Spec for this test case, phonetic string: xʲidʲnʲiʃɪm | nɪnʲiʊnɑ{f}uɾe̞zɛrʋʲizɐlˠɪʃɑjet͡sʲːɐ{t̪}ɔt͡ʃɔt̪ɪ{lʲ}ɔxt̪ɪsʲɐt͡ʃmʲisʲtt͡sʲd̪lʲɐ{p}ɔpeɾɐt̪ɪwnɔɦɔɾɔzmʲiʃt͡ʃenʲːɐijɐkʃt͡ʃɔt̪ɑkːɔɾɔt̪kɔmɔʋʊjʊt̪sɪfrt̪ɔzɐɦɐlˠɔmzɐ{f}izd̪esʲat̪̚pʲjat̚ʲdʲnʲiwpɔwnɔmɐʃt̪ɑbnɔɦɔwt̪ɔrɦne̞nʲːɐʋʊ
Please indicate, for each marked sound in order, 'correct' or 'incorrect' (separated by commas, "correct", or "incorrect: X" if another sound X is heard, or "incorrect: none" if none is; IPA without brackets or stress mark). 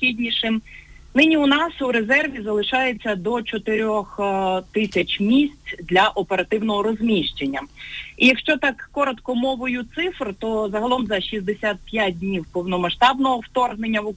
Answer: incorrect: s, incorrect: d̪, incorrect: ɾʲ, incorrect: ʔ, incorrect: ʃ